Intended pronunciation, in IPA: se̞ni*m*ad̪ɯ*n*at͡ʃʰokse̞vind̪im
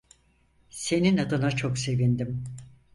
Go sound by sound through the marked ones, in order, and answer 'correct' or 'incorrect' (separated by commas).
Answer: incorrect, correct